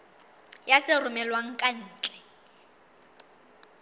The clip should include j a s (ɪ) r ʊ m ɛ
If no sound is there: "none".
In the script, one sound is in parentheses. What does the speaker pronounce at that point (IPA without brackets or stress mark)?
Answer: ɪ